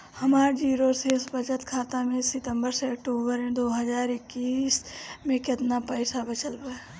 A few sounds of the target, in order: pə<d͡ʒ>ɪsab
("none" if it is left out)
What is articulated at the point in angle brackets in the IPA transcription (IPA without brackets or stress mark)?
none